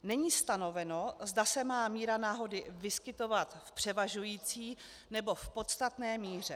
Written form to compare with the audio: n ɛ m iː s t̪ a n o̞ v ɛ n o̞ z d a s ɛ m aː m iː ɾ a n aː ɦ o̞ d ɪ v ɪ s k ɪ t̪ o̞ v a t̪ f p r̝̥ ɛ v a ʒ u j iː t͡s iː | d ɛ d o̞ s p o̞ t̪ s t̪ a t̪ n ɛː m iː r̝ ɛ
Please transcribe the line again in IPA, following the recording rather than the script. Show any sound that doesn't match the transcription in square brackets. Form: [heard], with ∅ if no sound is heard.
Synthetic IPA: n ɛ [ɲ] iː s t̪ a n o̞ v ɛ n o̞ z d a s ɛ m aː m iː ɾ a n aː ɦ o̞ d ɪ v ɪ s k ɪ t̪ o̞ v a t̪ f p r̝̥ ɛ v a ʒ u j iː t͡s iː | [n] ɛ [b] o̞ [f] p o̞ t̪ s t̪ a t̪ n ɛː m iː r̝ ɛ